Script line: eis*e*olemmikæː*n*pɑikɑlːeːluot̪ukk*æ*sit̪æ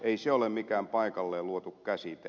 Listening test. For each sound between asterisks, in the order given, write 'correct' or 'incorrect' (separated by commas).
correct, incorrect, correct